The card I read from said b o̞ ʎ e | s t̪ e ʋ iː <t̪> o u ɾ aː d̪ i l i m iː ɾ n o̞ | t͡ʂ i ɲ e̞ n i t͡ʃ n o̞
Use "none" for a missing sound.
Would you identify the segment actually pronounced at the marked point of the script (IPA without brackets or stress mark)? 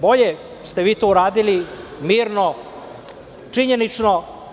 t̪